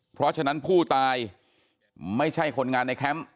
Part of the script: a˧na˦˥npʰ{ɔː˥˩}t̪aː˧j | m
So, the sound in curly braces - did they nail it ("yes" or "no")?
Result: no